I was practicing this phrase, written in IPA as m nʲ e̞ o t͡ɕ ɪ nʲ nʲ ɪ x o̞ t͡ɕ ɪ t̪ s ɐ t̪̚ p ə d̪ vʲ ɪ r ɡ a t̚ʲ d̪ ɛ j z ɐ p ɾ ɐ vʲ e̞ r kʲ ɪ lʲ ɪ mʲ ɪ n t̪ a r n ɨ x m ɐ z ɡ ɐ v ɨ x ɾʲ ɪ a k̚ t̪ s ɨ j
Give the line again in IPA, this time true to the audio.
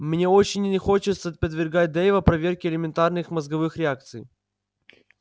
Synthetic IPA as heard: m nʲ e̞ o t͡ɕ ɪ nʲ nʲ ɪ x o̞ t͡ɕ ɪ t̪ s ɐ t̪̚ p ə d̪ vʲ ɪ r ɡ a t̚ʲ d̪ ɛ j v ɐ p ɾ ɐ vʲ e̞ r kʲ ɪ lʲ ɪ mʲ ɪ n t̪ a r n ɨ x m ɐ z ɡ ɐ v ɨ x ɾʲ ɪ a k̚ t̪ s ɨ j